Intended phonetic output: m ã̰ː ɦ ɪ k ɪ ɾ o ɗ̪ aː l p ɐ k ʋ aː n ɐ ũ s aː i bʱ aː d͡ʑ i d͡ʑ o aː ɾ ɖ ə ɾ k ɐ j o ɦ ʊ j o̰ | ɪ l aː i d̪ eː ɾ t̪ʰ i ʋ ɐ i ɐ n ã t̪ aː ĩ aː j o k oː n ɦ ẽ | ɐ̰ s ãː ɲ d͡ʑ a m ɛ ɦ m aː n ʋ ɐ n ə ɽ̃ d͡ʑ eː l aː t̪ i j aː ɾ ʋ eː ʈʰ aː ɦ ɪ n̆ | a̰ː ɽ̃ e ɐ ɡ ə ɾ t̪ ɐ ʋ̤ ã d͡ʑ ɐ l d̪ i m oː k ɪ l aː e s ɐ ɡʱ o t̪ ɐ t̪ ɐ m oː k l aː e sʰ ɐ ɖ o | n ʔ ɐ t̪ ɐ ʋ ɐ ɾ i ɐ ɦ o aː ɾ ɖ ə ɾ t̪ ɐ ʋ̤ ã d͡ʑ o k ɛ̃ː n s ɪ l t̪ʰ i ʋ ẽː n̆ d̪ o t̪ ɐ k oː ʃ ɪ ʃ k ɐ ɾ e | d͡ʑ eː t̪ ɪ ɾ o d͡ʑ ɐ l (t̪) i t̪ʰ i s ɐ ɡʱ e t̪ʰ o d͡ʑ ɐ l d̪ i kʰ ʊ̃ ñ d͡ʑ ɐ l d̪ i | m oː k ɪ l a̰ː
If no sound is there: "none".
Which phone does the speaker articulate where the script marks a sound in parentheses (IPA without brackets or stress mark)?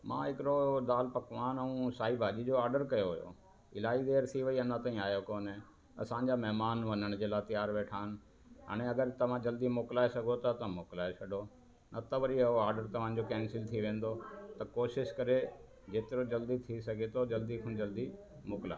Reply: d̪